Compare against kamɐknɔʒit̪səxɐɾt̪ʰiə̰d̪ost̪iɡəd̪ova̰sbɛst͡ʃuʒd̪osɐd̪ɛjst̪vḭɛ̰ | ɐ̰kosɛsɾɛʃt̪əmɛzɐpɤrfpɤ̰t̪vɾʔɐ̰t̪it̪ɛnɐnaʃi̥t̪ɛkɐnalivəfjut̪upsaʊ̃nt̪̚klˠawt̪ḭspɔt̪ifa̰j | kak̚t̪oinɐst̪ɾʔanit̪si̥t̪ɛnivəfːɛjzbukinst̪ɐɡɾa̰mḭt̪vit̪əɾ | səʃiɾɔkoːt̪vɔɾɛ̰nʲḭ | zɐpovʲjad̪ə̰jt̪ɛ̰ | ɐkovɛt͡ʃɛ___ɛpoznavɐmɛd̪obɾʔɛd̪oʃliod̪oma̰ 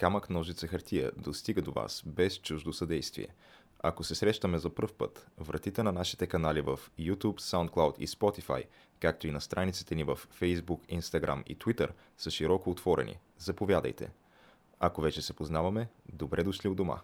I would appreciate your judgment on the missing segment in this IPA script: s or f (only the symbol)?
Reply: s